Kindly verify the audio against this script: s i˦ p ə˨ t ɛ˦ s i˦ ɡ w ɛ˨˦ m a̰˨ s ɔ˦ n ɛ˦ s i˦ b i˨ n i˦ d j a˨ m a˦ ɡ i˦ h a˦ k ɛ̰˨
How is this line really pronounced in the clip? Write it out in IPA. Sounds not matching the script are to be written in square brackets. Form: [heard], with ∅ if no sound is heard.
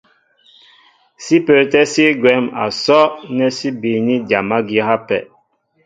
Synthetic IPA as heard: s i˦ p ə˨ t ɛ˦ s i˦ ɡ w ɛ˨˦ m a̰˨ s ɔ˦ n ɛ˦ s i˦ b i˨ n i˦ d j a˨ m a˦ ɡ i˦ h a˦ [p] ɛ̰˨